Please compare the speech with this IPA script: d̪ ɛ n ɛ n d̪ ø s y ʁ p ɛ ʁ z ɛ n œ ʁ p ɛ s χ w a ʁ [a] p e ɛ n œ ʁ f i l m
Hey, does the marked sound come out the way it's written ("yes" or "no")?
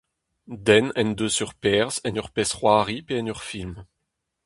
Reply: no